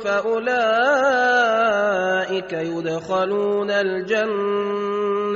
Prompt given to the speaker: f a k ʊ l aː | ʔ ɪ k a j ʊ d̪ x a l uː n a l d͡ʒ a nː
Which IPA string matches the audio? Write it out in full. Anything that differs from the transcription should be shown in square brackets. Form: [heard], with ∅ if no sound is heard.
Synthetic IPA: f a [ʔ] ʊ l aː | ʔ ɪ k a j ʊ d̪ x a l uː n a l d͡ʒ a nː